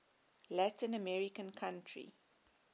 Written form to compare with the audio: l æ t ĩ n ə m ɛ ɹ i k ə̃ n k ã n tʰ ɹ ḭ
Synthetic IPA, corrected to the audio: l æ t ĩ n ə m ɛ ɹ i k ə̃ n kʰ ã n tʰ ɹ ḭ